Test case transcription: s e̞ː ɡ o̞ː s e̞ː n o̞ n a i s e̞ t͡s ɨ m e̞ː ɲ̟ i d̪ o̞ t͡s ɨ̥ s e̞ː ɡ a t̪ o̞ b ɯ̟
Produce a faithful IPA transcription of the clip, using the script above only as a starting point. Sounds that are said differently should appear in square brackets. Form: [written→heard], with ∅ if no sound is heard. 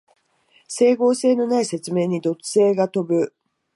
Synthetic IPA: s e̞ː ɡ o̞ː s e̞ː n o̞ n a i s e̞ t͡s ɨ m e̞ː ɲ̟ i d̪ o̞ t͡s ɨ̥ s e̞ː ɡ a t̪ o̞ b ɯ̟